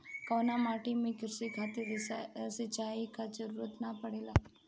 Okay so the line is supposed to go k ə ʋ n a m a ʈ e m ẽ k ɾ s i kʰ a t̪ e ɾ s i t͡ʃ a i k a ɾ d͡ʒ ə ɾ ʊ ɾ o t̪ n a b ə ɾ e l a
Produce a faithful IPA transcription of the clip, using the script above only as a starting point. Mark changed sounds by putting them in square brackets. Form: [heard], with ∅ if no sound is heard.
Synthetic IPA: k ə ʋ n a m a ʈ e m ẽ k ɾ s i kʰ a t̪ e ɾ s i t͡ʃ a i k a [∅] d͡ʒ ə ɾ [u] ɾ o t̪ n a [p] ə [ɽ] e l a

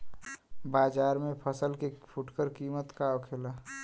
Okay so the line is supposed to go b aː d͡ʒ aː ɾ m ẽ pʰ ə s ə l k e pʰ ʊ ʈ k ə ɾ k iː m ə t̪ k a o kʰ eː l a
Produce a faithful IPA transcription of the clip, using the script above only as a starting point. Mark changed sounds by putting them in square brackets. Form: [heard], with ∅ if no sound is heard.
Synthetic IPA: b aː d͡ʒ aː ɾ m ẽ pʰ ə s ə l k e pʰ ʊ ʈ k ə ɾ k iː m ə t̪ k a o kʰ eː l a

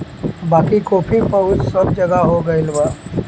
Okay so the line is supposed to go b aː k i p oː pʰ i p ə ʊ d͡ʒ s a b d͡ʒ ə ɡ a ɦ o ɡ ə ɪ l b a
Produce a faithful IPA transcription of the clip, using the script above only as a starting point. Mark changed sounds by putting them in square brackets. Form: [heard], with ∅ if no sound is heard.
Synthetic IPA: b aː k i [k] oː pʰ i p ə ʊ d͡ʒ s [ə] b d͡ʒ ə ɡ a ɦ o ɡ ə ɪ l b a

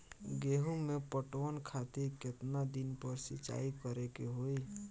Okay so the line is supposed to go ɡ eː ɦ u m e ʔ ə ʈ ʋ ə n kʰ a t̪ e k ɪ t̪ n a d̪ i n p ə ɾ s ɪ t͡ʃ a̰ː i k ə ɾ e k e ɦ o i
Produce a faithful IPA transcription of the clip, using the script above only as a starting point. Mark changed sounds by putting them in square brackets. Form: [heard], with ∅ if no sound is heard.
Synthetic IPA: ɡ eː ɦ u m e [p] ə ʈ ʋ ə n kʰ a t̪ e k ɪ t̪ n a d̪ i n p ə ɾ s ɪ t͡ʃ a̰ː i k ə ɾ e k e ɦ o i

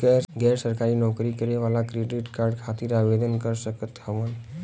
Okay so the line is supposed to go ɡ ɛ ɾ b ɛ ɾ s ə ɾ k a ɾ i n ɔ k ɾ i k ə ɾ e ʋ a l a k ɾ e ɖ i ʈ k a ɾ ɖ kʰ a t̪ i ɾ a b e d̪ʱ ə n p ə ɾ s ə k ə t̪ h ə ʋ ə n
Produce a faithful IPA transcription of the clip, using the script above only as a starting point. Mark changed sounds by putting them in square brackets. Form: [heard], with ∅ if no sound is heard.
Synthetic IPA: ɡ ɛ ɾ [ɡ] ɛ ɾ s ə ɾ k a ɾ i n ɔ k ɾ i k ə ɾ e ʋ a l a k ɾ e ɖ i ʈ k a ɾ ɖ kʰ a t̪ i ɾ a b e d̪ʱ ə n [k] ə ɾ s ə k ə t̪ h ə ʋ ə n

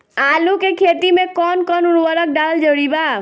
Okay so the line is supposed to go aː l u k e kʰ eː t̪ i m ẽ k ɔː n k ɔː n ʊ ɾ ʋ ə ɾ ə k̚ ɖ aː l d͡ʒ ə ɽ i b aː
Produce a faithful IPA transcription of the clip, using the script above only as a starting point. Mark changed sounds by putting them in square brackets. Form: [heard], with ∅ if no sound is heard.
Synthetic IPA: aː l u k e kʰ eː t̪ i m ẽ k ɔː n k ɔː n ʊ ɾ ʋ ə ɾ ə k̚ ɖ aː l d͡ʒ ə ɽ i b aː

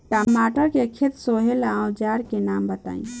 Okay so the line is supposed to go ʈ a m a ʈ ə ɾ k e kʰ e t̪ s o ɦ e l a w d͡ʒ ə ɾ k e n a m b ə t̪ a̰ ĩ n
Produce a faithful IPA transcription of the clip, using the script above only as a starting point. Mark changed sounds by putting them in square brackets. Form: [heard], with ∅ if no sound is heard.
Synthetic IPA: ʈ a m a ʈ ə ɾ k e kʰ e t̪ s o ɦ e l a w d͡ʒ [a] ɾ k e n a m b ə t̪ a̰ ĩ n

